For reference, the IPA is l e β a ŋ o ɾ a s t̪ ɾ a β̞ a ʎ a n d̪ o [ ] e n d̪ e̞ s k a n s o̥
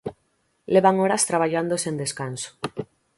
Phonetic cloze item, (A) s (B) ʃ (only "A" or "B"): A